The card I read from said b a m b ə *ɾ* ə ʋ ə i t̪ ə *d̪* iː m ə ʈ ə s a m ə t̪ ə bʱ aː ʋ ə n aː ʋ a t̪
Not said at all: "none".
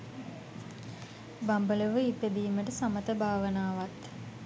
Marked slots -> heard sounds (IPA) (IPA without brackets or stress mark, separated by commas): l, d̪